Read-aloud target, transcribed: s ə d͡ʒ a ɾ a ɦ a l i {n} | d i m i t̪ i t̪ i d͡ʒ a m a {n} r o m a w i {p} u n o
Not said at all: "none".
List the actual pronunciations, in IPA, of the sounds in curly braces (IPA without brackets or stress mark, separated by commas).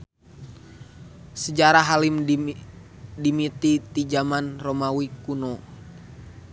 m, n, k